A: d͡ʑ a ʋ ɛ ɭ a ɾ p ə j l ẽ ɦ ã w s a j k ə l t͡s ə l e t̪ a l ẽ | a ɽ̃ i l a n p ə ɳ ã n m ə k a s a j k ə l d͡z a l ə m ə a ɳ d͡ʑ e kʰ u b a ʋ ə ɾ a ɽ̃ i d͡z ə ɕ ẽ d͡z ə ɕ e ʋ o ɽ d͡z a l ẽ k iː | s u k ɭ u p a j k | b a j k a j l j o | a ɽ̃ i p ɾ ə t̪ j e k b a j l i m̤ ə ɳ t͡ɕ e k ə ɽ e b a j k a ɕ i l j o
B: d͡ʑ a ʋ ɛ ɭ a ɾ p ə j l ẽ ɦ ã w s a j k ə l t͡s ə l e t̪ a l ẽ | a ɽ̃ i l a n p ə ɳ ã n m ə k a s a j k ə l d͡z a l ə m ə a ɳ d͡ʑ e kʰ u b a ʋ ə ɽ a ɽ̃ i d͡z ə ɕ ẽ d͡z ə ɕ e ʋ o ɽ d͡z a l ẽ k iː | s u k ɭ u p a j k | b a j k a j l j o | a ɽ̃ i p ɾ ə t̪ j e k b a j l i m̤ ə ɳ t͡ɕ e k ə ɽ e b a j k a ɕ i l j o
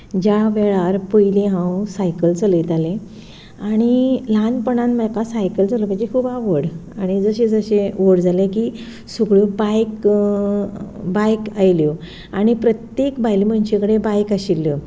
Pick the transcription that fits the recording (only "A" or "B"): B